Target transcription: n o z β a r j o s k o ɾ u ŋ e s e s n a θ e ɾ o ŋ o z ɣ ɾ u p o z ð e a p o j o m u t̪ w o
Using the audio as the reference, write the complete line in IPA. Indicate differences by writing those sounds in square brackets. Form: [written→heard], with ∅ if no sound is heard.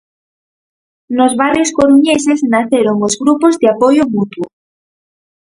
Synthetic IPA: n o z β a r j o s k o ɾ u [ŋ→ɲ] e s e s n a θ e ɾ o ŋ o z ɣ ɾ u p o z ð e a p o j o m u t̪ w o